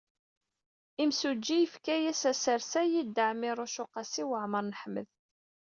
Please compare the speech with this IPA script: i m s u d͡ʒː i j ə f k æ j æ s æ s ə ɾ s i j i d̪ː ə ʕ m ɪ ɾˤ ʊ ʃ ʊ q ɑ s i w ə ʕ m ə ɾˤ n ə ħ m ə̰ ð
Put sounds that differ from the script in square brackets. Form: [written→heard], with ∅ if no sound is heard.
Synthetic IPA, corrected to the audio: i m s u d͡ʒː i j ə f k æ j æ s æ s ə ɾ s [i→æ] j i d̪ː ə ʕ m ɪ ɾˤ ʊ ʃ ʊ q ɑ s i w ə ʕ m ə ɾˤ n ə ħ m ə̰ ð